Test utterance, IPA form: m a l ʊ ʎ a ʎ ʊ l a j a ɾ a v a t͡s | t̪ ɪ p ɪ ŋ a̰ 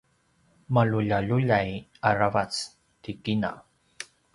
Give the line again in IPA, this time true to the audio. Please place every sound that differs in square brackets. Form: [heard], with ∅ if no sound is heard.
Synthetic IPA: m a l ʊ ʎ a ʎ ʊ [ʎ] a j a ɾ a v a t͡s | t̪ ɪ [k] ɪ [n] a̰